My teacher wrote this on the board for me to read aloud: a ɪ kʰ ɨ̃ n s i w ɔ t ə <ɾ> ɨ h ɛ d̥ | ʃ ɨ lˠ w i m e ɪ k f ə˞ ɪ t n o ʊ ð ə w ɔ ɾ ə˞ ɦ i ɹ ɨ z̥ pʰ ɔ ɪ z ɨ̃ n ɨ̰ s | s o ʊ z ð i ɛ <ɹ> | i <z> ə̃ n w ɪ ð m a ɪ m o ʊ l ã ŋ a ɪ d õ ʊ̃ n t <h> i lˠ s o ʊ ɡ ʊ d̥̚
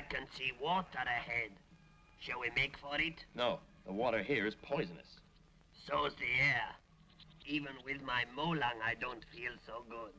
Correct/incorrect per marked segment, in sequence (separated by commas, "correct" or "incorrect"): correct, correct, incorrect, incorrect